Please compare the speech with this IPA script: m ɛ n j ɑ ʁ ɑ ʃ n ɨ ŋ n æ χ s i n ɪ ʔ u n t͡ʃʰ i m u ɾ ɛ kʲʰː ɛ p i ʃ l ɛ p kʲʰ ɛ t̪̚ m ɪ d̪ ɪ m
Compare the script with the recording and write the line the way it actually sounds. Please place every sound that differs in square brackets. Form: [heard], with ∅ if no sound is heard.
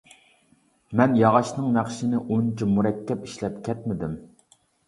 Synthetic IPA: m ɛ n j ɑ ʁ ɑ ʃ n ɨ ŋ n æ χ [ʃ] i n ɪ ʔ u n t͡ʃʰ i m u ɾ ɛ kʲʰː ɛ p i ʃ l ɛ p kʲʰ ɛ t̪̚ m ɪ d̪ ɪ m